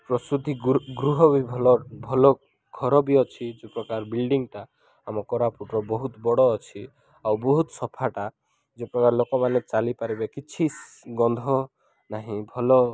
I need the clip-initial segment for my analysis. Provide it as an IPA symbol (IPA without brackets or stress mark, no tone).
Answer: p